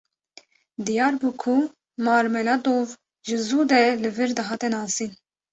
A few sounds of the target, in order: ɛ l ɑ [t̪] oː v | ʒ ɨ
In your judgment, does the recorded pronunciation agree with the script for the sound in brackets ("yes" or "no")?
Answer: no